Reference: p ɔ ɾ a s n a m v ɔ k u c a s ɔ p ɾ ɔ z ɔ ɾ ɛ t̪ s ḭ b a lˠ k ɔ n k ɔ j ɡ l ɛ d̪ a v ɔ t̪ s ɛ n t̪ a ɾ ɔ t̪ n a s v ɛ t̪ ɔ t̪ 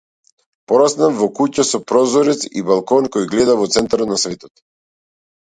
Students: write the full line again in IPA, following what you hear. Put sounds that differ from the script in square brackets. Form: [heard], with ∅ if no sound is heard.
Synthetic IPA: p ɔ ɾ a s n a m v ɔ k u c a s ɔ p ɾ ɔ z ɔ ɾ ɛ t̪ s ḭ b a lˠ k ɔ n k ɔ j ɡ l ɛ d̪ a v ɔ t̪ s ɛ n t̪ a ɾ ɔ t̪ n a s v ɛ t̪ ɔ t̪